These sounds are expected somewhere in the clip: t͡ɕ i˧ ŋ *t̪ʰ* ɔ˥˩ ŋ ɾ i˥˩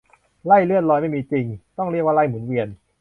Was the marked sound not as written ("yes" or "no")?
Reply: yes